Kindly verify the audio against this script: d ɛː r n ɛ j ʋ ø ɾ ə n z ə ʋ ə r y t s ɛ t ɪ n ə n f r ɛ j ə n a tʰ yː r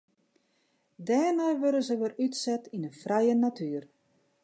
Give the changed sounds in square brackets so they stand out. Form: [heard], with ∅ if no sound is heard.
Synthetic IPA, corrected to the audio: d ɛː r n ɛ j ʋ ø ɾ ə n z ə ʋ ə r y t s ɛ t [i] n ə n f r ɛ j ə n a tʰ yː r